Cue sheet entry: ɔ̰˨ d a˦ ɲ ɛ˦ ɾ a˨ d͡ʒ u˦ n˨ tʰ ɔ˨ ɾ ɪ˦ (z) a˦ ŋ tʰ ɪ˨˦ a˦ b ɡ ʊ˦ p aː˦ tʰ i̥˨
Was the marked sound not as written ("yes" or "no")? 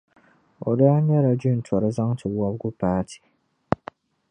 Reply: no